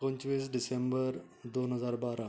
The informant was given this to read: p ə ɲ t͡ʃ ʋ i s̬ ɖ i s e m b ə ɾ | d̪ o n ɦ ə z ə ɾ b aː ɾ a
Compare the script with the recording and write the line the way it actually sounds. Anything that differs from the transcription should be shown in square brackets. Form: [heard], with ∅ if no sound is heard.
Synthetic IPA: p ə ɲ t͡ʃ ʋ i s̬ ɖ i s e m b ə ɾ | d̪ o n ɦ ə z [a] ɾ b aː ɾ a